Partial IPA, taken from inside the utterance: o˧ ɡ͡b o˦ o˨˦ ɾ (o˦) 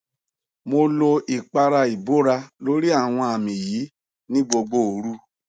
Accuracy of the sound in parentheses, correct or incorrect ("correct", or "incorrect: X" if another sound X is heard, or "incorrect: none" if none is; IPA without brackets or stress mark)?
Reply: incorrect: u˦